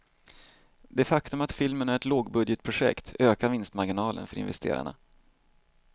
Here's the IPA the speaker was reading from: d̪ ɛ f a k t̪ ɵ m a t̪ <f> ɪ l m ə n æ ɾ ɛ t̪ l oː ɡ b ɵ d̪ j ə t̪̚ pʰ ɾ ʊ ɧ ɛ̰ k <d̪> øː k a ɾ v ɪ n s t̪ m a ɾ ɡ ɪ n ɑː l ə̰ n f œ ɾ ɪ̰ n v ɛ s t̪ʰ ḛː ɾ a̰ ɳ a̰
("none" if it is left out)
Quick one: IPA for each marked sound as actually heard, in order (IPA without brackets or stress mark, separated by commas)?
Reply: f, t̪